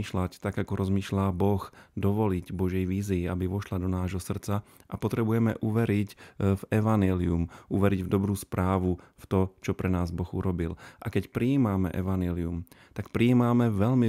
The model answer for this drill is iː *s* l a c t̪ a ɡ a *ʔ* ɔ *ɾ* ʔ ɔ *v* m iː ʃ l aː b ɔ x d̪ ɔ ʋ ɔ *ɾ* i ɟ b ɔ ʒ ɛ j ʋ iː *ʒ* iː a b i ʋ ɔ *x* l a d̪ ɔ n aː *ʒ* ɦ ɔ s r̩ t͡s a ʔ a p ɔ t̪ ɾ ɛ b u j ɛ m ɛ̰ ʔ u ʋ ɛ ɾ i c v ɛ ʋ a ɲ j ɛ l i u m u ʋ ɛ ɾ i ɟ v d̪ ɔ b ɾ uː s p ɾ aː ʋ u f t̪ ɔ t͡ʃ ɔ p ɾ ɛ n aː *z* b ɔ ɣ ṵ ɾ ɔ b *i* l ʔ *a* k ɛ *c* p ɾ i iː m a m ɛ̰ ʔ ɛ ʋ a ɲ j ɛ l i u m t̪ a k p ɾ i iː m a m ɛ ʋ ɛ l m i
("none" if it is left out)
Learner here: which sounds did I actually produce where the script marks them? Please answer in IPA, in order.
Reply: ʃ, k, ɾ, z, l, z, ʃ, ʒ, z, i, a, c

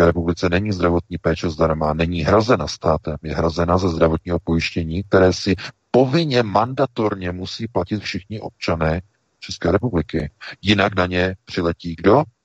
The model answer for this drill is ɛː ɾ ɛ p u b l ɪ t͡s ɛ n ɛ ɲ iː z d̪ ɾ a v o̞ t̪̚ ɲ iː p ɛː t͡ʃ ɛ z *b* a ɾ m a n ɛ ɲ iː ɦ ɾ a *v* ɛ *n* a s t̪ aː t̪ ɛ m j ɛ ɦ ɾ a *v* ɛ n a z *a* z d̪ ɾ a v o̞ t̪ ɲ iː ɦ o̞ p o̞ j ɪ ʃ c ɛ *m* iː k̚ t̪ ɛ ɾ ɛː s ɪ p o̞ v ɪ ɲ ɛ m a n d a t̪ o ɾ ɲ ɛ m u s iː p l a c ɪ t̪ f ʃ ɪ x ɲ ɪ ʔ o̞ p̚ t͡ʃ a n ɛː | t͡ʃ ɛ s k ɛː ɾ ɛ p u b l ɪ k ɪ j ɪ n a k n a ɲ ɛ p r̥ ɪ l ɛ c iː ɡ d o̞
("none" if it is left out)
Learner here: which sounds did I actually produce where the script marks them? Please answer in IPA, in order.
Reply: d, z, n, z, ɛ, ɲ

